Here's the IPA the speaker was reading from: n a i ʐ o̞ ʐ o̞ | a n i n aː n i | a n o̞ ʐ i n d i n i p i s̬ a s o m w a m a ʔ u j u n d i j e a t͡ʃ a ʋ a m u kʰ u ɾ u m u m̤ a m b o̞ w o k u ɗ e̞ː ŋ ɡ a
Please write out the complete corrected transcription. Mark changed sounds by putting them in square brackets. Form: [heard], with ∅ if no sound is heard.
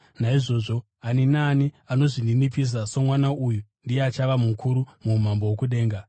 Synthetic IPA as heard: n a i ʐ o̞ ʐ o̞ | a n i n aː n i | a n o̞ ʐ i n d i n i p i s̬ a s o m w a [n] a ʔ u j u n d i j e a t͡ʃ a ʋ a m u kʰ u ɾ u m u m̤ a m b o̞ w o k u ɗ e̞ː ŋ ɡ a